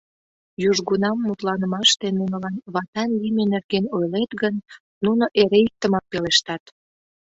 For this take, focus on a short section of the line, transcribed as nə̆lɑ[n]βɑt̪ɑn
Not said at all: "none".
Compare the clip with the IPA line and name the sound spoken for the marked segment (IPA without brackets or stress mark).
n